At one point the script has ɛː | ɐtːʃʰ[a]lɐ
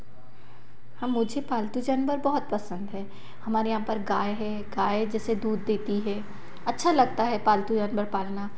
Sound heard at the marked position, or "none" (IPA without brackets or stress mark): a